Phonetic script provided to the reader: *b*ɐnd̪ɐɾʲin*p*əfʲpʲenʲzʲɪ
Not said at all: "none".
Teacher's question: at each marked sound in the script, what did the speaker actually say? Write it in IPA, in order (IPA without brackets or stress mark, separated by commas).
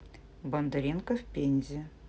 b, k